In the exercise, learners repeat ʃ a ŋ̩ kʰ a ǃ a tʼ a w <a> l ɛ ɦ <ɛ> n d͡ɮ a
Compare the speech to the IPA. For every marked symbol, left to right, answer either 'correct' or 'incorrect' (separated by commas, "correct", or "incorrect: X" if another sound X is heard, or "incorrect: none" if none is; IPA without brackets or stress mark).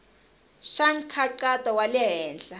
correct, incorrect: ɛː